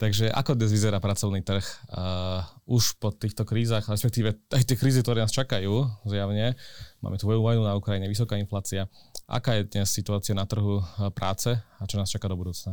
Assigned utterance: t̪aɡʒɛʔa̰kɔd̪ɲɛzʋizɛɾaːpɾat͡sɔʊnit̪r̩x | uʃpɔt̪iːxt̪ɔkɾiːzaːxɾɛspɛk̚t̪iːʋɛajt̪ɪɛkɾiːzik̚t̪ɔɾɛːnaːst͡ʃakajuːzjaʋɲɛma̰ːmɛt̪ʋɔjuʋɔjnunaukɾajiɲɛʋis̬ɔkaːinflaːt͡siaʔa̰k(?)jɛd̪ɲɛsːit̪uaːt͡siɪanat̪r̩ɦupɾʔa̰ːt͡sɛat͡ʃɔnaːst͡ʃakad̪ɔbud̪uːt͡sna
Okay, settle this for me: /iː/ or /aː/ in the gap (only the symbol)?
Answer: aː